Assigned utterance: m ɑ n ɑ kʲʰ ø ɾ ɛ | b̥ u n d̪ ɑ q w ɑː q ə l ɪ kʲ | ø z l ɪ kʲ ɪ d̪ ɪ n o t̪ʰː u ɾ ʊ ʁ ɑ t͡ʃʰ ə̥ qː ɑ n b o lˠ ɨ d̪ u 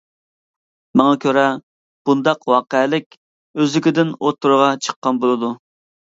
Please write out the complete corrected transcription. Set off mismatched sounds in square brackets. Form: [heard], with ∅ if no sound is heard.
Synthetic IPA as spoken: m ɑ [ŋ] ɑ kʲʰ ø ɾ ɛ | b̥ u n d̪ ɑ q w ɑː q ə l ɪ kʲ | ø z l ɪ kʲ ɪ d̪ ɪ n o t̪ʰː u ɾ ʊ ʁ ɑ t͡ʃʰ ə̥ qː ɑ n b o lˠ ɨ d̪ u